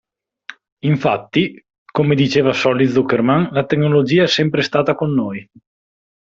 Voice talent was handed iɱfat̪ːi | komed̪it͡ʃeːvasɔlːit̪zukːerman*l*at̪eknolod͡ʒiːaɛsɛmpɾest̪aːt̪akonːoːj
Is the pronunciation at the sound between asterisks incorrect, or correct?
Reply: correct